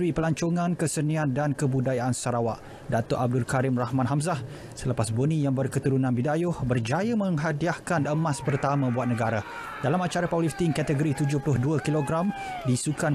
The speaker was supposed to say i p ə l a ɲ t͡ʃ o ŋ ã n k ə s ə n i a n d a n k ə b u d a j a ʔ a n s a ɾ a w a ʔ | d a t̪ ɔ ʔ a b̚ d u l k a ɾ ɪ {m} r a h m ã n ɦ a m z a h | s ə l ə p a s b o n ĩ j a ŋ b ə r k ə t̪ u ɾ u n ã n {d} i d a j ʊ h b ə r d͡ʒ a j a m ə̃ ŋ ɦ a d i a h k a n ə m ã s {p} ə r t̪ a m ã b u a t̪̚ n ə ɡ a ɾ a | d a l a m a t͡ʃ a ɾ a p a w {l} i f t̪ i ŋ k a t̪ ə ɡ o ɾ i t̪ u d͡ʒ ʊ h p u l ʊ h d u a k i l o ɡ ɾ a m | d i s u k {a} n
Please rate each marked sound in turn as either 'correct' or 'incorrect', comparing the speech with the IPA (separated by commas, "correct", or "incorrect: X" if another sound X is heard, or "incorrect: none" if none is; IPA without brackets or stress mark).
correct, incorrect: b, correct, correct, correct